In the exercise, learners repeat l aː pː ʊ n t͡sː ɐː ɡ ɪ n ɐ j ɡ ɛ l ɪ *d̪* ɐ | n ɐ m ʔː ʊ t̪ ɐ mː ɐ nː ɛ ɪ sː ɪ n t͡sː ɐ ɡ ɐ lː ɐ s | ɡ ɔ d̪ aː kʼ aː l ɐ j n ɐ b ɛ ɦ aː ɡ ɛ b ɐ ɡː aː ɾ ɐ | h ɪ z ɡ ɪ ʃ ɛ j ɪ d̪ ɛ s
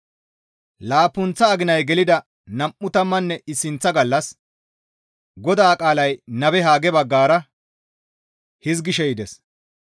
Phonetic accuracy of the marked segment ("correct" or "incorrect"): correct